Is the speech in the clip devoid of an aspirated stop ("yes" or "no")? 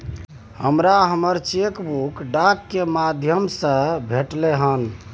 yes